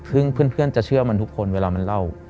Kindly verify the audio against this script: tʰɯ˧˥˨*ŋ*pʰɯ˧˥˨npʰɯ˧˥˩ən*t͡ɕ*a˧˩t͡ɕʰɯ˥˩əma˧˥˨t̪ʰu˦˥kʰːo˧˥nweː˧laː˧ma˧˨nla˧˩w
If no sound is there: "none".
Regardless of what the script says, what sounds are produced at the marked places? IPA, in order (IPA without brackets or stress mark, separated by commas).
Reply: ŋ, t͡ɕ